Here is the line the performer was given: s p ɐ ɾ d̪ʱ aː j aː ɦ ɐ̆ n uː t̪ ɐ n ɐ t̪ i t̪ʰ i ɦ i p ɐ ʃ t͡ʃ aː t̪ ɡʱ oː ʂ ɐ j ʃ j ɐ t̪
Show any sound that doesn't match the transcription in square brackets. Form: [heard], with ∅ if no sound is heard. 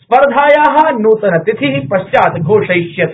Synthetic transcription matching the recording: s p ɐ ɾ d̪ʱ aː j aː ɦ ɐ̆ n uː t̪ ɐ n ɐ t̪ i t̪ʰ i ɦ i p ɐ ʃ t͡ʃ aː t̪ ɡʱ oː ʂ ɐ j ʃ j ɐ t̪